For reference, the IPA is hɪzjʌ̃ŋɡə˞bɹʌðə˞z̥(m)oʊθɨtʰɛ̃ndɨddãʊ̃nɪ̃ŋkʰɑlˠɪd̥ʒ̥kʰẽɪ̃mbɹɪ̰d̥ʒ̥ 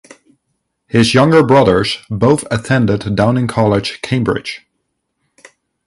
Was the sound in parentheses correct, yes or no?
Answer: no